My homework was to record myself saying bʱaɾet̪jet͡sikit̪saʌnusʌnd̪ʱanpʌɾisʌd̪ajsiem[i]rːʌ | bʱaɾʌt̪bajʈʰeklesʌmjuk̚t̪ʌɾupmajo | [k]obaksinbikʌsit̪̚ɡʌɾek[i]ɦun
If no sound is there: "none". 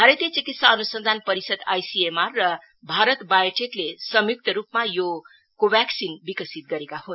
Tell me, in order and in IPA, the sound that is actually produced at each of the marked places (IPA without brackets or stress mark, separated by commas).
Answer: a, k, a